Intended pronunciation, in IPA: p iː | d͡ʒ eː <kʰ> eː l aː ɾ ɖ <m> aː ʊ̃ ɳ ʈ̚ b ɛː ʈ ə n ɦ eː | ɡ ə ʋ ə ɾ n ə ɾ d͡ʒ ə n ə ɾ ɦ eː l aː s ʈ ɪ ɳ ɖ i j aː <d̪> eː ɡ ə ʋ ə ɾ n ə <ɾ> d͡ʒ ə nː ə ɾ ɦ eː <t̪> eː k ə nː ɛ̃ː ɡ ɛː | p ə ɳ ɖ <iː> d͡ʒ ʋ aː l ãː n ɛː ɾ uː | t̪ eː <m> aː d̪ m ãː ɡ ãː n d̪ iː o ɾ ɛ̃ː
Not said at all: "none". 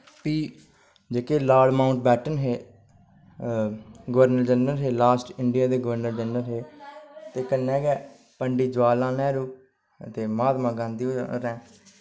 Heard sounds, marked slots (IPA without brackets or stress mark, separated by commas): k, m, d̪, ɾ, t̪, iː, m